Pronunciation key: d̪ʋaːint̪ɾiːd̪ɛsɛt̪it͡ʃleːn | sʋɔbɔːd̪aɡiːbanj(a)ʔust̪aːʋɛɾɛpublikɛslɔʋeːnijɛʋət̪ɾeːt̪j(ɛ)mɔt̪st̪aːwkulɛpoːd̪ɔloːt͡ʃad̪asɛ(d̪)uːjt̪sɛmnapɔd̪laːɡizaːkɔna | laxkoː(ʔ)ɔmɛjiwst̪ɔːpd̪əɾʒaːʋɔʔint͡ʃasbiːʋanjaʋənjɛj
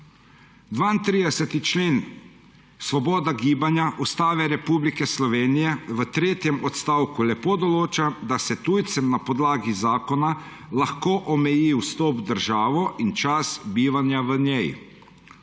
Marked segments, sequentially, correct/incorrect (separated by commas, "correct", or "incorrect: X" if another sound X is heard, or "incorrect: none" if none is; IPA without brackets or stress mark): correct, correct, incorrect: t̪, correct